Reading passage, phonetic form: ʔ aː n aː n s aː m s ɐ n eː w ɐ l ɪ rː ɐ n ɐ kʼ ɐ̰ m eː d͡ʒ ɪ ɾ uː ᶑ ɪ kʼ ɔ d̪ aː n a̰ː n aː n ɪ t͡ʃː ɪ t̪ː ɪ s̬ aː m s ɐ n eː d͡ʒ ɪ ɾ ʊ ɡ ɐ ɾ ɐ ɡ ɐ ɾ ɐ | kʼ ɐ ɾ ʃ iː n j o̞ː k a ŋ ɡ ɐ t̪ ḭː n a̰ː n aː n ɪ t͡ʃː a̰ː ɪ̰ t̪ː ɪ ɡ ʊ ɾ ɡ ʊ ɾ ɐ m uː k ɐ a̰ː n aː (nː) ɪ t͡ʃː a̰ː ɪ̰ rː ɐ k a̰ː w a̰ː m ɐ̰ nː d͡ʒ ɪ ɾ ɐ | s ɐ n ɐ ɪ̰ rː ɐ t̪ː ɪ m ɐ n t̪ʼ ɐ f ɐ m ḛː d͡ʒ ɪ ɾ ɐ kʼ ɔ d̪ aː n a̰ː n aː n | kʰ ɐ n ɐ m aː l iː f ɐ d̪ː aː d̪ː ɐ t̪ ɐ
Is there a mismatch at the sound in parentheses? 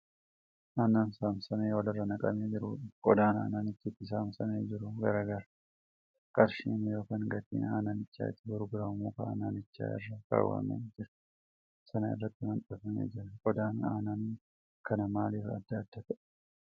yes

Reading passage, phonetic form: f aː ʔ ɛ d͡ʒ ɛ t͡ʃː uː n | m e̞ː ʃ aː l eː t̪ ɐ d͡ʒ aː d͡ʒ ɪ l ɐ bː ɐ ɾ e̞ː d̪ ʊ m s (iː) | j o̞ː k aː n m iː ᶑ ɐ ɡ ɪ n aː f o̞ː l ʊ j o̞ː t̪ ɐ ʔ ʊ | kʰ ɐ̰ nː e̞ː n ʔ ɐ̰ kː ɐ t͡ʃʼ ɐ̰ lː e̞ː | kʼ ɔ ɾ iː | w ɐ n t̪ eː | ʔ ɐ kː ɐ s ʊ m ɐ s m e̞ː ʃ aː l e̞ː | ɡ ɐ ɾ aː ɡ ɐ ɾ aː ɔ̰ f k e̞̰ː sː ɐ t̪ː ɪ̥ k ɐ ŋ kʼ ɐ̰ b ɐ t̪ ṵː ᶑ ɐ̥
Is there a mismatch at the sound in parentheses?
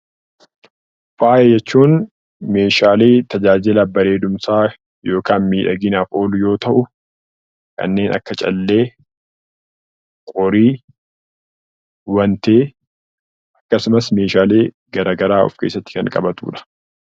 yes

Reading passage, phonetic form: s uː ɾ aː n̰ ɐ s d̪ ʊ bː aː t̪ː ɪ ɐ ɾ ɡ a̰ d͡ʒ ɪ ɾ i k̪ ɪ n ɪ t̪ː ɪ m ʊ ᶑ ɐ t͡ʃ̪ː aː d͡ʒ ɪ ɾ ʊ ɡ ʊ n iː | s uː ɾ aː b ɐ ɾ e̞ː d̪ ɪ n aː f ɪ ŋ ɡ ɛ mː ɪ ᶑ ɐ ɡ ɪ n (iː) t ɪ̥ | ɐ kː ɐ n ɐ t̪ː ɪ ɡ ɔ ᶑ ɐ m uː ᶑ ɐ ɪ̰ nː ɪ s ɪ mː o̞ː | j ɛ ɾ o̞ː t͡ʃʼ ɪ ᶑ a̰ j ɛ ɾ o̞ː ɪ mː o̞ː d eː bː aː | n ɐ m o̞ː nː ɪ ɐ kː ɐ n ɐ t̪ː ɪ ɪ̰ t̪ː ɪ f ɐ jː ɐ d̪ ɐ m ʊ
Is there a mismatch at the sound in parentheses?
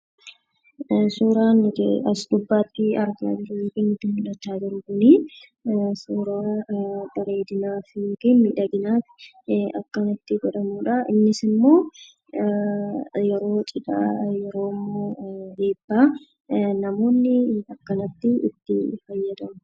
yes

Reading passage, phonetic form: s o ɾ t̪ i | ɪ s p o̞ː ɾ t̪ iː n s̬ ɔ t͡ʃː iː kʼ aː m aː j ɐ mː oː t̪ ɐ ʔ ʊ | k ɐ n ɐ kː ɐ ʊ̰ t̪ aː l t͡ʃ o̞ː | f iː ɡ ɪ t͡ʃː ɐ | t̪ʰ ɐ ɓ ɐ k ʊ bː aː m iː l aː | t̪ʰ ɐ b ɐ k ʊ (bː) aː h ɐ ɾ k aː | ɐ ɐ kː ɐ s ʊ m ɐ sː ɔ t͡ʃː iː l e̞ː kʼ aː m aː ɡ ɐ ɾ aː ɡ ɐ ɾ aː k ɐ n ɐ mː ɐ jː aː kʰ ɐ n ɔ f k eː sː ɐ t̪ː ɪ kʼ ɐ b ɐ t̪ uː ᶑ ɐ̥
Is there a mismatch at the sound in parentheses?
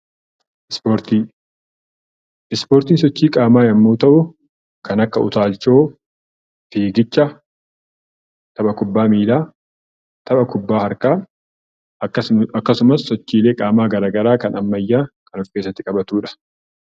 no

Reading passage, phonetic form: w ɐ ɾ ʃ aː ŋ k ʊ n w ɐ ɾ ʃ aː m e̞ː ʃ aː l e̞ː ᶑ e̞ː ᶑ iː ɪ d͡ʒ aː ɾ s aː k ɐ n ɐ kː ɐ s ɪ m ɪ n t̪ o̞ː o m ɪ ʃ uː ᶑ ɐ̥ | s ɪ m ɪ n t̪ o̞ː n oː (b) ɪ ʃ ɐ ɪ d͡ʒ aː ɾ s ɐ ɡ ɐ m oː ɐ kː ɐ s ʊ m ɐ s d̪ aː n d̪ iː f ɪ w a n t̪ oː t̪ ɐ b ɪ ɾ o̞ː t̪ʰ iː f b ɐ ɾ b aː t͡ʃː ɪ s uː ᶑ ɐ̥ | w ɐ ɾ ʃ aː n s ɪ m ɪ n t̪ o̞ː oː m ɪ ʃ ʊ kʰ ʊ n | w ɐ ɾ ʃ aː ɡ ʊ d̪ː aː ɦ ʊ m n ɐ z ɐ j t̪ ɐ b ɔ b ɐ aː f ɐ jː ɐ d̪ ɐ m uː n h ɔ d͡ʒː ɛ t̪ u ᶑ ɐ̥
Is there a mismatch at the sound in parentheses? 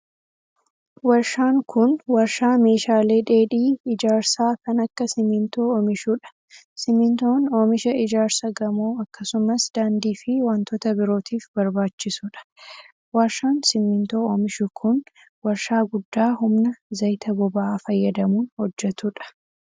yes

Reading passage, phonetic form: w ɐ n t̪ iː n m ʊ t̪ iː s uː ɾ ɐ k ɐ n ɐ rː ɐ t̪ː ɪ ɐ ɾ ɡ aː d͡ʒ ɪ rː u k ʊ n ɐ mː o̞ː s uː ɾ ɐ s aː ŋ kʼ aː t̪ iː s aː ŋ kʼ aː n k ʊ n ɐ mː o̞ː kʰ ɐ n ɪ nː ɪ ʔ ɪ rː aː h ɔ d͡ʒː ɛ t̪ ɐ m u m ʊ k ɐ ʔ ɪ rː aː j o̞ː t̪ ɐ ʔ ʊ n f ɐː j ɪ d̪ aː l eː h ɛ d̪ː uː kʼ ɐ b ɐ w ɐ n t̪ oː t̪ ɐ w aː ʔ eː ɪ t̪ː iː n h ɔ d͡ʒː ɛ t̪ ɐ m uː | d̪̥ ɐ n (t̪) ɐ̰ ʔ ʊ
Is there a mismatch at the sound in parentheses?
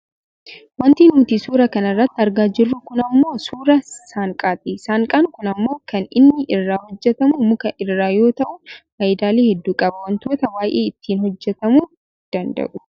yes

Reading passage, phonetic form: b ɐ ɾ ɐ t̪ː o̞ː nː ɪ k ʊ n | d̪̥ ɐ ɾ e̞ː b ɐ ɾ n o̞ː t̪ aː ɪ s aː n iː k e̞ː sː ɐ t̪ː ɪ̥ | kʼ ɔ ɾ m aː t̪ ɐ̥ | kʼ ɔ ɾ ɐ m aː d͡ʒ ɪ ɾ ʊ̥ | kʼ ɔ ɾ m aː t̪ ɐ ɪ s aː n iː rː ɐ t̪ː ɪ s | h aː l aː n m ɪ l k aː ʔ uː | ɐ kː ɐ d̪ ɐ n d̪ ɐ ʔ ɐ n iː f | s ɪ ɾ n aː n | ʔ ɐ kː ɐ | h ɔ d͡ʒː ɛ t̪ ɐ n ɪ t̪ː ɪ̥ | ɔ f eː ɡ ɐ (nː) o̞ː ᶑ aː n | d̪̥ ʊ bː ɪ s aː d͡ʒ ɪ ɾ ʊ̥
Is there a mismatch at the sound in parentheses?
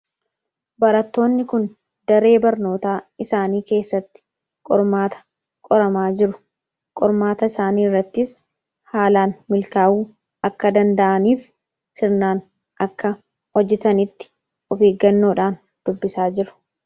no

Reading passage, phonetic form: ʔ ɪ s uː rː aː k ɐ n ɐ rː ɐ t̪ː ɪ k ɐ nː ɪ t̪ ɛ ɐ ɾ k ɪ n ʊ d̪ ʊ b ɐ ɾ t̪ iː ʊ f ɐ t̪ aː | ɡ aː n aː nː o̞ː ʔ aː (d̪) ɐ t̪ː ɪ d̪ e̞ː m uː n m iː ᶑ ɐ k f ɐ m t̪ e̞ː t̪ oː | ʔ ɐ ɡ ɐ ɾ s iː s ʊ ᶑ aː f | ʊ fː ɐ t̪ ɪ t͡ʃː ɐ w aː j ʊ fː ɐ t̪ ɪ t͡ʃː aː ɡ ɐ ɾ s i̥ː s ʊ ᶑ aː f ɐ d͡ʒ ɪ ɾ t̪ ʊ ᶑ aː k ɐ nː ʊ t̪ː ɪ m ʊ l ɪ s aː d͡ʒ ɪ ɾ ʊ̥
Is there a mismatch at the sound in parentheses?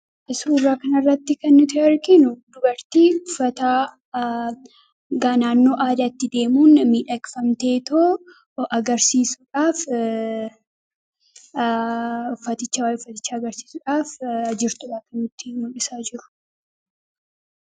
no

